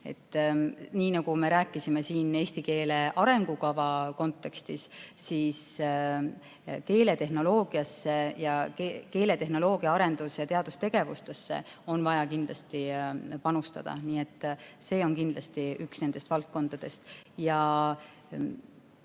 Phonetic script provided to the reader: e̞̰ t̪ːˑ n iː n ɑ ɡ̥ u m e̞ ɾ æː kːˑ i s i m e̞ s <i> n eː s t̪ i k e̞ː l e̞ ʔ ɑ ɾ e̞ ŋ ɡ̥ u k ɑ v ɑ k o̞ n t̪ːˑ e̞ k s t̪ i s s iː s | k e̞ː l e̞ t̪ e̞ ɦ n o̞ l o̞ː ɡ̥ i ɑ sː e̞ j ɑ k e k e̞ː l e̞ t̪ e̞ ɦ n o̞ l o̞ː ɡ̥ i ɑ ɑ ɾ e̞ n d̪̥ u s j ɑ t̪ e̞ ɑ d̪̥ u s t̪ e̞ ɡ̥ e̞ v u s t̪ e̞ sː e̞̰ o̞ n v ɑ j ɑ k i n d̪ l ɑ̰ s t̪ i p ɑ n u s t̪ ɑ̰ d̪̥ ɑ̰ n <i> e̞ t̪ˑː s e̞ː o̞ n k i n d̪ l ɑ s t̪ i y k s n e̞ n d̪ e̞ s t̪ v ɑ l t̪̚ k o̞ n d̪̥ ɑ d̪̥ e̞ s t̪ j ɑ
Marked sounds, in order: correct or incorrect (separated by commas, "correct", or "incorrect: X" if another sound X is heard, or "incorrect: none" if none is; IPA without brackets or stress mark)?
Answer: incorrect: iː, incorrect: iː